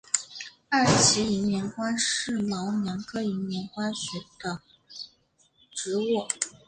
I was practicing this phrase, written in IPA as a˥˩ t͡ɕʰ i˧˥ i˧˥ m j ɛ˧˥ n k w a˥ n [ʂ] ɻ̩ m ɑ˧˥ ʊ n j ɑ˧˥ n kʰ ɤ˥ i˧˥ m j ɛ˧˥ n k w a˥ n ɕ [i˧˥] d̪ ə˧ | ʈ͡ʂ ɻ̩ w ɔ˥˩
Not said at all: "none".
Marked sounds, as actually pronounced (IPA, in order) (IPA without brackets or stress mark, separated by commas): ʂ, ɛ˧˥